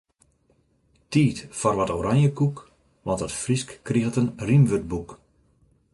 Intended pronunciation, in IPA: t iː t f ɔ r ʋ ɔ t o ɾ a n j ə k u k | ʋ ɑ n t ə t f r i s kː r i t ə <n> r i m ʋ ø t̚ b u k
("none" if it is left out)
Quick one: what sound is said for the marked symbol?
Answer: n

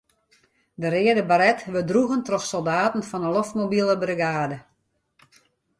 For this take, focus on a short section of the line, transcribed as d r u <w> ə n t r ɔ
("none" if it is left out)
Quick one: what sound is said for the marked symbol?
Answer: ɣ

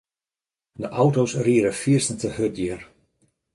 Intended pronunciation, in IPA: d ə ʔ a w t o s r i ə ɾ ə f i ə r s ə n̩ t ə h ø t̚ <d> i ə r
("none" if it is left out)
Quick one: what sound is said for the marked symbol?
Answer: d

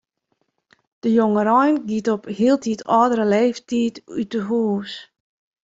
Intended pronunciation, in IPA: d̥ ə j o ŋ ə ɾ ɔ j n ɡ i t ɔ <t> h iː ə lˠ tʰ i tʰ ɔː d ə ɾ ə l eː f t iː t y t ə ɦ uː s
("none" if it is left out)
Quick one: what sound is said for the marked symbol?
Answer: p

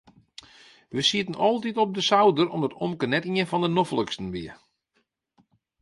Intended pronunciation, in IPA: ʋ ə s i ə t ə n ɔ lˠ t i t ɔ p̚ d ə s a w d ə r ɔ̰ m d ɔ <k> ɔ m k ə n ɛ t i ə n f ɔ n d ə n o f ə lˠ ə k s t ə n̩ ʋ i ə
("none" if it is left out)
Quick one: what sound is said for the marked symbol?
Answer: t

